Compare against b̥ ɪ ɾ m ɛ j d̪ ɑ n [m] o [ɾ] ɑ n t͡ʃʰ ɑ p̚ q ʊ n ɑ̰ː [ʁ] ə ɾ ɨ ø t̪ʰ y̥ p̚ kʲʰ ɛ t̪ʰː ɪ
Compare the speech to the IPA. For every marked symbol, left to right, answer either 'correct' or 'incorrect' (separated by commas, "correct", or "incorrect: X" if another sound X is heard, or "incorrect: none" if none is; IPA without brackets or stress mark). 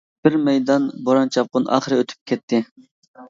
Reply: incorrect: b, correct, incorrect: χ